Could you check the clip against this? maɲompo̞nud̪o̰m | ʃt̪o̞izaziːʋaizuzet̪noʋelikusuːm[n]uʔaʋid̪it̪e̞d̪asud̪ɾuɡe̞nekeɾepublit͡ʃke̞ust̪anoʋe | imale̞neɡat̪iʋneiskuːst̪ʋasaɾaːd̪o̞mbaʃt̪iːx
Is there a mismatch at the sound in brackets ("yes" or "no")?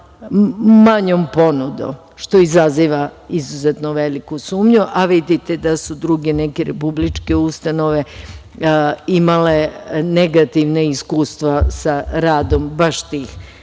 yes